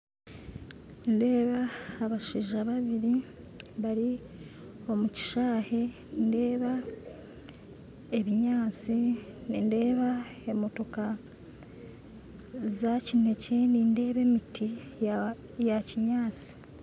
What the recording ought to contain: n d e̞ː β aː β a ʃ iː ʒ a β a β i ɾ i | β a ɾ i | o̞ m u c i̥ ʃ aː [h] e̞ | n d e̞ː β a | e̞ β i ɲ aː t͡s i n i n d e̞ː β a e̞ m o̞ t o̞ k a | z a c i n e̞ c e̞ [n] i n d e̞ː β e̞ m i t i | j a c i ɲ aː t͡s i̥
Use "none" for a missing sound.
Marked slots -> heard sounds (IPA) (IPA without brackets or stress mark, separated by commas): h, n